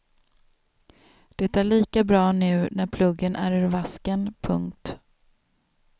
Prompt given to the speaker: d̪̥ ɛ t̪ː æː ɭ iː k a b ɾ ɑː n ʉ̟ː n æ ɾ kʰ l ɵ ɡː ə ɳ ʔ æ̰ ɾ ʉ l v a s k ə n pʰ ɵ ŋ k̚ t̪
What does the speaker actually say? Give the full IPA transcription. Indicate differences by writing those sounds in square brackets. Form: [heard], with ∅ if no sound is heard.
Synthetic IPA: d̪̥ ɛ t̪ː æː ɭ iː k a b ɾ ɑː n ʉ̟ː n æ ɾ [pʰ] l ɵ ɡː ə [n] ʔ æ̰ ɾ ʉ [ɾ] v a s k ə n pʰ ɵ ŋ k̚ t̪